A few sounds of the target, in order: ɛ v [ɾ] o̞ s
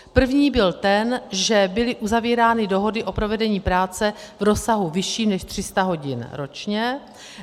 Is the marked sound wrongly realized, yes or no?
no